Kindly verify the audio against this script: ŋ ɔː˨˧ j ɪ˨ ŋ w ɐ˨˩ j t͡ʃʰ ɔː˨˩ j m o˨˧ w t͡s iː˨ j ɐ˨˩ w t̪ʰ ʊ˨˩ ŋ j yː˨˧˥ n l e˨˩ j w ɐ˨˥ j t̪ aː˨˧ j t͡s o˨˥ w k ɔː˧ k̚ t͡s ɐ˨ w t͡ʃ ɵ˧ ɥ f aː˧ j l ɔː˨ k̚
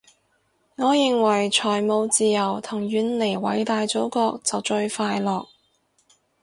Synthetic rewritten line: ŋ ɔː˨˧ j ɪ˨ ŋ w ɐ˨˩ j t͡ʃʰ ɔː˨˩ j m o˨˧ w t͡s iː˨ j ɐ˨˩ w t̪ʰ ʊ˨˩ ŋ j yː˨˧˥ n l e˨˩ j w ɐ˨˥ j t̪ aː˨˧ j t͡s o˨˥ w k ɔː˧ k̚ t͡s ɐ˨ w t͡ʃ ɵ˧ ɥ f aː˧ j l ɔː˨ k̚